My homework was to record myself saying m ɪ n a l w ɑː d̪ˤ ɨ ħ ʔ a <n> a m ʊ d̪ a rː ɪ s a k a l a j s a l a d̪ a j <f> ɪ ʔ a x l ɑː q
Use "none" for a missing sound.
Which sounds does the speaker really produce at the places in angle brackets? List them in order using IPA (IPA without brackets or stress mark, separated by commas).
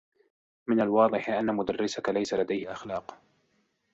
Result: nː, h